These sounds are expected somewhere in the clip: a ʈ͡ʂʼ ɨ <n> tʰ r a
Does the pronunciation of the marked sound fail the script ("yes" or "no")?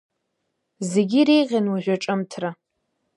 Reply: yes